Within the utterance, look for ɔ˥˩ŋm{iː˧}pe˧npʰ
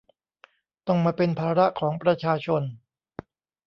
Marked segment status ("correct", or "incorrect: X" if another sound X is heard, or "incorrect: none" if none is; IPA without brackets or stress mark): incorrect: aː˧